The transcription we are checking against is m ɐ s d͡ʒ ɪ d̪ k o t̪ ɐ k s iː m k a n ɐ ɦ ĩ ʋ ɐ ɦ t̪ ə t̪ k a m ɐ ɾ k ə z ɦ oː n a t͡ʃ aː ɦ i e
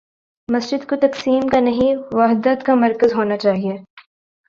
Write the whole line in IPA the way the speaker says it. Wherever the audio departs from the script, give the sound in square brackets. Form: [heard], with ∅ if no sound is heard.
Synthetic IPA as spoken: m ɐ s d͡ʒ ɪ d̪ k o t̪ ɐ k s iː m k a n ɐ ɦ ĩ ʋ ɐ ɦ [d̪] ə t̪ k a m ɐ ɾ k ə z ɦ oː n a t͡ʃ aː ɦ i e